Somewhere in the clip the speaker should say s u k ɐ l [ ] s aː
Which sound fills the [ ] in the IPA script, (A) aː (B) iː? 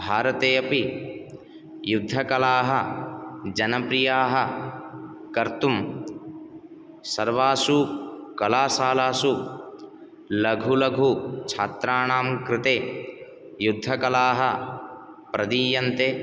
A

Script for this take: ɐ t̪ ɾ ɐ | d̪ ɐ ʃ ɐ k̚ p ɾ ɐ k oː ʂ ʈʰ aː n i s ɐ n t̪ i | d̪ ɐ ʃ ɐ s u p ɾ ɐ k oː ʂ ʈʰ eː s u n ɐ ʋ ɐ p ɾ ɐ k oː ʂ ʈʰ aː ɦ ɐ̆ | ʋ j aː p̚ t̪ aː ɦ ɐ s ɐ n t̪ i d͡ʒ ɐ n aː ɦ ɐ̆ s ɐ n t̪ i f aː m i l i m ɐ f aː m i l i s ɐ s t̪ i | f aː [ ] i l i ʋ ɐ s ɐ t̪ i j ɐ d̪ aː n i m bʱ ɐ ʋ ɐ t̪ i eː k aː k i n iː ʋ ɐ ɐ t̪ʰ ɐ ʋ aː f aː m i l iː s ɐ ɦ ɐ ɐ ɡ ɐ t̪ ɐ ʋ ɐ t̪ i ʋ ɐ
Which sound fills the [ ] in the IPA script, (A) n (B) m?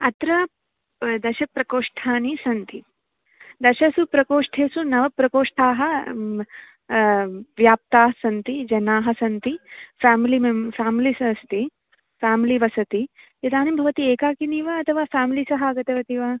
B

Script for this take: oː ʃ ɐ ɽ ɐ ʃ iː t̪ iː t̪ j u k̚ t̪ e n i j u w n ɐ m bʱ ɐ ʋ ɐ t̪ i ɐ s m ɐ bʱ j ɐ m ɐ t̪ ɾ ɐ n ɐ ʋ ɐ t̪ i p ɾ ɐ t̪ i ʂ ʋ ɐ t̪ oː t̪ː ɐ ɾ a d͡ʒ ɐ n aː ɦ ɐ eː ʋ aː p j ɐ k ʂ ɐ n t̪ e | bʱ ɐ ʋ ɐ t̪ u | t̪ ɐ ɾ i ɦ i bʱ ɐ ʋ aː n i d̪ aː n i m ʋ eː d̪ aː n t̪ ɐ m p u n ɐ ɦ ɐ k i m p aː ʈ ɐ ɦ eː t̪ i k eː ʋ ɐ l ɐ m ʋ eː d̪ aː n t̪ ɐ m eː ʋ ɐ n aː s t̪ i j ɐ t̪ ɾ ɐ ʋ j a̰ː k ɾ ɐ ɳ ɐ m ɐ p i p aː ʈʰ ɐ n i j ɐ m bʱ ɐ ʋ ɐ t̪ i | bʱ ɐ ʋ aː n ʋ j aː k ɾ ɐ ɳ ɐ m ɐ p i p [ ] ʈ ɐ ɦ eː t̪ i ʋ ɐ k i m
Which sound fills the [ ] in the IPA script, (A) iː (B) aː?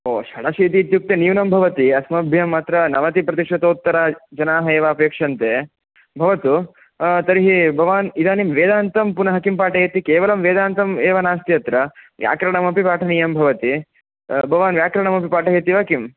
B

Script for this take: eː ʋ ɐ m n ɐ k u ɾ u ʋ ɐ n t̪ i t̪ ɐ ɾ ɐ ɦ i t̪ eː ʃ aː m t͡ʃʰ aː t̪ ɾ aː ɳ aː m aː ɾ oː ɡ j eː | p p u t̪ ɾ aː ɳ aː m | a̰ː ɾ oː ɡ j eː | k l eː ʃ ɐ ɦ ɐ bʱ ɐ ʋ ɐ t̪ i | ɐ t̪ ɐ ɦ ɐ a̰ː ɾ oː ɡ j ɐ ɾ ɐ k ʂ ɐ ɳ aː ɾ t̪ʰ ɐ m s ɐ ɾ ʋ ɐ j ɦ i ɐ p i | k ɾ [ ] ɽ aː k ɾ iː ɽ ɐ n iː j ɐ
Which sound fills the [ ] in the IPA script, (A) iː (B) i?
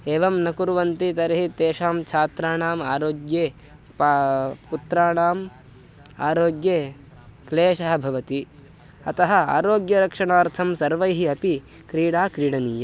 A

